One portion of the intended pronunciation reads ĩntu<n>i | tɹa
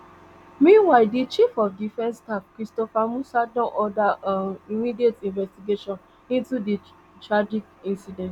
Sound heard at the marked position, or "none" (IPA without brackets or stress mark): d